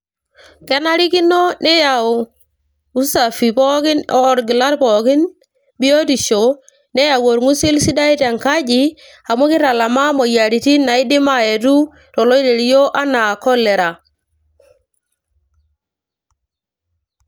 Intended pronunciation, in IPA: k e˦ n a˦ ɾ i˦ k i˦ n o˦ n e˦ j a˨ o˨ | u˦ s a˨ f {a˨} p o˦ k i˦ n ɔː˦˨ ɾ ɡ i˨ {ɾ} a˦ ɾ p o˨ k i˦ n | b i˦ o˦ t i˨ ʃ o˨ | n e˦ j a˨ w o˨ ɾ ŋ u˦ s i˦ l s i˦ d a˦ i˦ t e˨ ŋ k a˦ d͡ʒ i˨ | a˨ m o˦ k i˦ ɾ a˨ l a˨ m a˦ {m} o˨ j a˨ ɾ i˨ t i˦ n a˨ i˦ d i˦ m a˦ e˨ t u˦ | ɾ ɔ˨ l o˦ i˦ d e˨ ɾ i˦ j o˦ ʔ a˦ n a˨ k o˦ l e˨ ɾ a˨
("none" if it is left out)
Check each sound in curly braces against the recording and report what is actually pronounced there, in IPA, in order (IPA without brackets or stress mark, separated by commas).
i˨, l, m